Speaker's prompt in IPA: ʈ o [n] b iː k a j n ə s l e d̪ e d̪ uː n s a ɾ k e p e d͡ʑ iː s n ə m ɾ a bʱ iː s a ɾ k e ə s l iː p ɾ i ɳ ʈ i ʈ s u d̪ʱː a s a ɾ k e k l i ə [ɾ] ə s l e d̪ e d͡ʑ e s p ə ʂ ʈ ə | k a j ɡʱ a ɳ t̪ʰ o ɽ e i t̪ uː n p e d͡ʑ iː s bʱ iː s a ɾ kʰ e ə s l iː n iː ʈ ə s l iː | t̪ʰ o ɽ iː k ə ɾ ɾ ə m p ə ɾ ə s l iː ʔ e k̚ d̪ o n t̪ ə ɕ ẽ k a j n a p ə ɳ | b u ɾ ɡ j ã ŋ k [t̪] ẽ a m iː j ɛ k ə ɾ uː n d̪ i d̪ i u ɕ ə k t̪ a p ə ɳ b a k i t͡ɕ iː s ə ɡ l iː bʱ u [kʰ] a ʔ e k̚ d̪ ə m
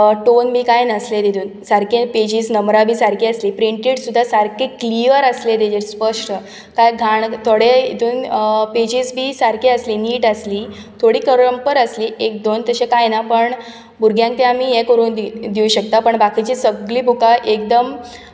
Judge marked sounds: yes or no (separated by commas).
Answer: yes, yes, yes, no